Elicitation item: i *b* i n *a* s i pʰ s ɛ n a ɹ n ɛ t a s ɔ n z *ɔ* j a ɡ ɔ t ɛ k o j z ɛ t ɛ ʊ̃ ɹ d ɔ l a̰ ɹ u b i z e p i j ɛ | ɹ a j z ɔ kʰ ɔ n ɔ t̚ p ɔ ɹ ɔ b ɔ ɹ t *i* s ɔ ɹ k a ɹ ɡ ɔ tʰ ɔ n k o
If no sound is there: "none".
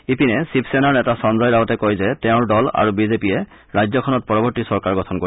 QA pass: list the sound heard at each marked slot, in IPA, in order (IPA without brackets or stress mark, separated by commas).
p, ɛ, ɔ, i